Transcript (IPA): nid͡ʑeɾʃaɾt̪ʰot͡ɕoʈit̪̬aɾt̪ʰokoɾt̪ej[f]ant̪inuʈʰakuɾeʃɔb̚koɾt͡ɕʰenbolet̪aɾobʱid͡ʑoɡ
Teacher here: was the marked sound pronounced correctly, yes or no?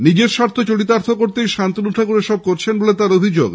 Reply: no